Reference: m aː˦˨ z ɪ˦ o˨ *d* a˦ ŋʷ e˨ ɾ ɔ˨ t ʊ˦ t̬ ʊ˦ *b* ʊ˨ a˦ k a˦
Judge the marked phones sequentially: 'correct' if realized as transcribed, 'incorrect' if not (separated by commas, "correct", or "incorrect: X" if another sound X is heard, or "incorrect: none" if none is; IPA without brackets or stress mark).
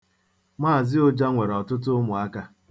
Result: incorrect: d͡ʒ, incorrect: m